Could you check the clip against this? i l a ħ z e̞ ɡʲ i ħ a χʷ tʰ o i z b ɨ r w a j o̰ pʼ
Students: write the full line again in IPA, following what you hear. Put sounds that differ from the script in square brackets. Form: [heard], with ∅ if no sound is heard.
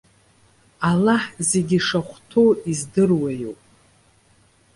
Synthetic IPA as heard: [a] l a ħ z e̞ ɡʲ i [ʂ] a χʷ tʰ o i z [d] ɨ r w a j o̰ pʼ